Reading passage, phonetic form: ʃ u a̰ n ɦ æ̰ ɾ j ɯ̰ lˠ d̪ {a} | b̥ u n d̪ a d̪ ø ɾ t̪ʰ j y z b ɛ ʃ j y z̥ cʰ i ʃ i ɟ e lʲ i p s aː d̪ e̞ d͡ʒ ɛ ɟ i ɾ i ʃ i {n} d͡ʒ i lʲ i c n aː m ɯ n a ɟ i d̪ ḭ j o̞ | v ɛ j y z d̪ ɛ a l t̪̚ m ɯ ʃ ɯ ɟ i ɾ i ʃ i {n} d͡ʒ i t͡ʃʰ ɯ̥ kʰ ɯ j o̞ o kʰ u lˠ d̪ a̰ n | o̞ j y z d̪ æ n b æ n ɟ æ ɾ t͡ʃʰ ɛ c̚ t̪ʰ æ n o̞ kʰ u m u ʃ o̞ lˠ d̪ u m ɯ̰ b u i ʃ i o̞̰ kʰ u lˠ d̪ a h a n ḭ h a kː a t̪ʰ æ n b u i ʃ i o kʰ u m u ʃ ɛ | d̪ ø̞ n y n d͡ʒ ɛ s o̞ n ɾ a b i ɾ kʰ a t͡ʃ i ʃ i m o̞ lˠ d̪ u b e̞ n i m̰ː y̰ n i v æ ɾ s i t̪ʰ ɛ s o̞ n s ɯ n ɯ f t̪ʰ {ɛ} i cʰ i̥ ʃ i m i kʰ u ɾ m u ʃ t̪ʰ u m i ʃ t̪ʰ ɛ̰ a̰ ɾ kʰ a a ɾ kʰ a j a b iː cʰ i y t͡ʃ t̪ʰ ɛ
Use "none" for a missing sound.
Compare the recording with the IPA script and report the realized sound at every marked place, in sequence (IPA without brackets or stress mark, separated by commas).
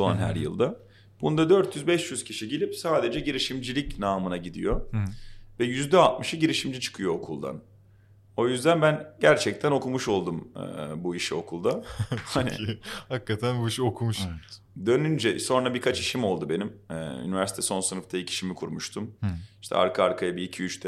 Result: a, m, m, a